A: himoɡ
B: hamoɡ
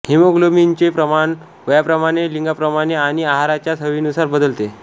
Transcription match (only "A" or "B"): A